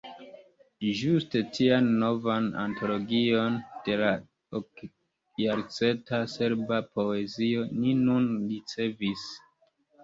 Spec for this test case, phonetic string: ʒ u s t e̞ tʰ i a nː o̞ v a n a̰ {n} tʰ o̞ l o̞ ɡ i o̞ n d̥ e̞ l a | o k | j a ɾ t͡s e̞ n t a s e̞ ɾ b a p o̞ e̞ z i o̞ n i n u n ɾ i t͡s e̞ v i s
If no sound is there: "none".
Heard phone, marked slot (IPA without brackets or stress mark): n